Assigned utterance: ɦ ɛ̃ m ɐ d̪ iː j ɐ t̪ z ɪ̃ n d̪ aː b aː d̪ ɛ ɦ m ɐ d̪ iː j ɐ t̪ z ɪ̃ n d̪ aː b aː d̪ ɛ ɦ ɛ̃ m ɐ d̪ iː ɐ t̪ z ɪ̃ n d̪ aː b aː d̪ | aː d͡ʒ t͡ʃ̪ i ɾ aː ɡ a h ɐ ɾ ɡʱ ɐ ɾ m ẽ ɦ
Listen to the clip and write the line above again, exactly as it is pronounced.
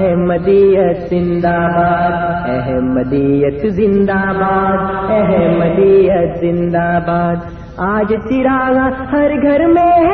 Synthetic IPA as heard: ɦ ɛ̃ m ɐ d̪ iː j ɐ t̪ z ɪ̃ n d̪ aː b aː d̪ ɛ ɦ m ɐ d̪ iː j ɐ t̪ z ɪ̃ n d̪ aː b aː d̪ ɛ ɦ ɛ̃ m ɐ d̪ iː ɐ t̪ z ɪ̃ n d̪ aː b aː d̪ | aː d͡ʒ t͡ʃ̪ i ɾ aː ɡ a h ɐ ɾ ɡʱ ɐ ɾ m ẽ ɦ